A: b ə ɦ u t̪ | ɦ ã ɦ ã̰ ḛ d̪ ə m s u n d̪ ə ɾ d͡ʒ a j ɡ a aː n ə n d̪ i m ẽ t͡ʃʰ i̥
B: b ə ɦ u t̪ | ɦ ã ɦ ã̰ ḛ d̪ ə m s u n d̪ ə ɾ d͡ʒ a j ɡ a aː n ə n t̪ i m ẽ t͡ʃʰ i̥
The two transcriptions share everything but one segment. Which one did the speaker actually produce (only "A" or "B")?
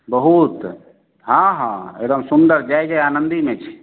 A